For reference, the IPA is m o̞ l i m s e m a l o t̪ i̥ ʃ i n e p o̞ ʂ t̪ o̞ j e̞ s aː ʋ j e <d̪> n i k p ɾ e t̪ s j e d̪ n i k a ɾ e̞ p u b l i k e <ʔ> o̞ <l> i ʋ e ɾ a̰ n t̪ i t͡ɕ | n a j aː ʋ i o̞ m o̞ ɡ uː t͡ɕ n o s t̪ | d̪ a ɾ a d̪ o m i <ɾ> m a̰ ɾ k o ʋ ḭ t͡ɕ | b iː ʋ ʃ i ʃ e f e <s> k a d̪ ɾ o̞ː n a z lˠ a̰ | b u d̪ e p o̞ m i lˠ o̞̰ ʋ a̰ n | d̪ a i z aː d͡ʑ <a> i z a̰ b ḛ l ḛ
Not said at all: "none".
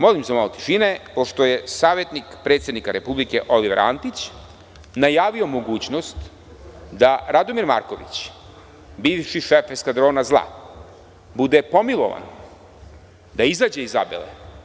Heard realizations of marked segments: t̪, ʔ, l, ɾ, s, e

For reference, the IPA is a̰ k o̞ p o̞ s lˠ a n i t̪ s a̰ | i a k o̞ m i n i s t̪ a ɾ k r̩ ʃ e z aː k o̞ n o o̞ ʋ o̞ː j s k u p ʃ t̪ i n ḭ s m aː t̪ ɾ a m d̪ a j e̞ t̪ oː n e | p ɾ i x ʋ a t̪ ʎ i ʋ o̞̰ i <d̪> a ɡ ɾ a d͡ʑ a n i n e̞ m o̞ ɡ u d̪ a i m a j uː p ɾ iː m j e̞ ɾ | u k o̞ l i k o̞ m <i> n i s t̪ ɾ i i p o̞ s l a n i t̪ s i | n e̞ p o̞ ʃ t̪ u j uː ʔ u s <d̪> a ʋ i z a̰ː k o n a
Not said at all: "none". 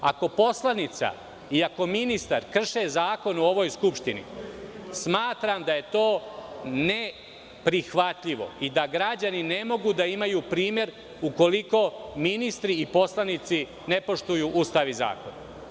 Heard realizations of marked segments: d̪, i, t̪

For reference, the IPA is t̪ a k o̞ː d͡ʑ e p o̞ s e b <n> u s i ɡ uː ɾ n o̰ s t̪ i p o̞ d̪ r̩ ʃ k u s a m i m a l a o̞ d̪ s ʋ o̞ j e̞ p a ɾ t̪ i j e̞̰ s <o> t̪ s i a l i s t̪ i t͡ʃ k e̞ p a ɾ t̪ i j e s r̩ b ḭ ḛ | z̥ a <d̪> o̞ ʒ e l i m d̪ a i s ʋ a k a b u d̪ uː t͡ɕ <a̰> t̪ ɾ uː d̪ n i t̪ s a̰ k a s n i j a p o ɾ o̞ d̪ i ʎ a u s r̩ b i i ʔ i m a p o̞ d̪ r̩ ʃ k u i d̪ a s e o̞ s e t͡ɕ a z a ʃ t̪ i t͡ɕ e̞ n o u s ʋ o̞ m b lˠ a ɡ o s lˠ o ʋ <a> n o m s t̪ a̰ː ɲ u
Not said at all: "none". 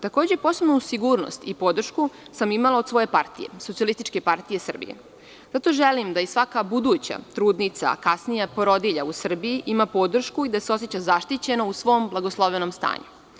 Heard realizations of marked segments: n, o, t̪, a̰, e

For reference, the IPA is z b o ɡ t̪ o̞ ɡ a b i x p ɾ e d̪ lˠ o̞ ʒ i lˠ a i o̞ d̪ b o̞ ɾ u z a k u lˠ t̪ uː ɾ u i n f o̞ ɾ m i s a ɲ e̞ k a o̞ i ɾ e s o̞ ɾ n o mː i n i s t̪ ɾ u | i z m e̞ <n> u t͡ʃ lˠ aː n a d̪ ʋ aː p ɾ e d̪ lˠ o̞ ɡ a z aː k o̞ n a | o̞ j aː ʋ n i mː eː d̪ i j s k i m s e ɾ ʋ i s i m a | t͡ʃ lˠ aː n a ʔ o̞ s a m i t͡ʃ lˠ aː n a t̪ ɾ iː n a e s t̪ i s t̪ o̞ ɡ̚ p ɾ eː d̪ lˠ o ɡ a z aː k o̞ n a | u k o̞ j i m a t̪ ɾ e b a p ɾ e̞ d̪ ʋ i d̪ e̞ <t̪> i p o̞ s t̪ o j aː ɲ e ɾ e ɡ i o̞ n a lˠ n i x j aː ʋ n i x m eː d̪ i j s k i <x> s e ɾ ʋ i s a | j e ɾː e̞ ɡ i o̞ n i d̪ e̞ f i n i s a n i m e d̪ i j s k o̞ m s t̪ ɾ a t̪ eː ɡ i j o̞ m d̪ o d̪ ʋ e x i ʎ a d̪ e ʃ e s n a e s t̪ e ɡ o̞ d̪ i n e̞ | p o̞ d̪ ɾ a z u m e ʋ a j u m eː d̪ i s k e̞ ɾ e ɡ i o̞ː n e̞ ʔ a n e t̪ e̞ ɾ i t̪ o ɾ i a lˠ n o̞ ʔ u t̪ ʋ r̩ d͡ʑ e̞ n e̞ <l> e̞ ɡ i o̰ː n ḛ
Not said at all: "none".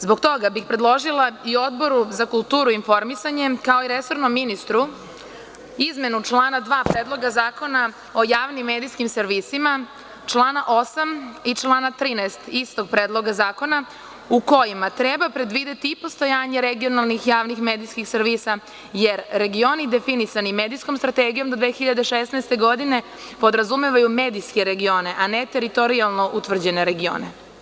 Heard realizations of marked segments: n, t̪, x, ɾ

